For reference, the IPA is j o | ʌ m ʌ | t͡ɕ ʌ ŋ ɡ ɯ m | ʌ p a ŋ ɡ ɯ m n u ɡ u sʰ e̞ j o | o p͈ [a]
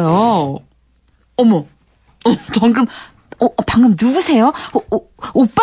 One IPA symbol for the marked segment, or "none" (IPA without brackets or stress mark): a